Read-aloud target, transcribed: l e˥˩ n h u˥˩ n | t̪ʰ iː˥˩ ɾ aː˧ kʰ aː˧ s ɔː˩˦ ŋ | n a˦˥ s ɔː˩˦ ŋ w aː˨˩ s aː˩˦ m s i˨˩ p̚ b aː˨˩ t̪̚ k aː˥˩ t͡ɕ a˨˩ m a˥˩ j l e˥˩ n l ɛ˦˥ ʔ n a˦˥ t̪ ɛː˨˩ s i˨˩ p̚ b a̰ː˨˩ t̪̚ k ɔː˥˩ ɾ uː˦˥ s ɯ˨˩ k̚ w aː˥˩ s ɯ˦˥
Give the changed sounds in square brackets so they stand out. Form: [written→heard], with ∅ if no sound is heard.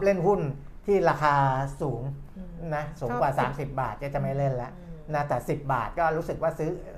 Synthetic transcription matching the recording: l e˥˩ n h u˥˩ n | t̪ʰ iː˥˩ ɾ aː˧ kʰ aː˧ s [ɔː˩˦→uː˩˦] ŋ | n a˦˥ s [ɔː˩˦→uː˩˦] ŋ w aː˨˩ s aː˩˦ m s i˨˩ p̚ b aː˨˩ t̪̚ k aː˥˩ t͡ɕ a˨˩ m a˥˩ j l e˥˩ n l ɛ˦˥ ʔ n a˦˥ t̪ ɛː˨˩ s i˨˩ p̚ b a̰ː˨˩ t̪̚ k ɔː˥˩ ɾ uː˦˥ s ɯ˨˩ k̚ w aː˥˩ s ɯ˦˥